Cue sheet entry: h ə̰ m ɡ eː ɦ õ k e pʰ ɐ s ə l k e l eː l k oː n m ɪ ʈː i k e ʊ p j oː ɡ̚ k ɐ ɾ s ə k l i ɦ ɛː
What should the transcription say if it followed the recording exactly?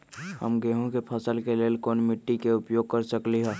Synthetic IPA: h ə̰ m ɡ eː ɦ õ k e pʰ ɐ s ə l k e l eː l k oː n m ɪ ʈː i k e ʊ p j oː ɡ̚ k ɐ ɾ s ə k l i ɦ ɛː